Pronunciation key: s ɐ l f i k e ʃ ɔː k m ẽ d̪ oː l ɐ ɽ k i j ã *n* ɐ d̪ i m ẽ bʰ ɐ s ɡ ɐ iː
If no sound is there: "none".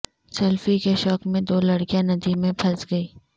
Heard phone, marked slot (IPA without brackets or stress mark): n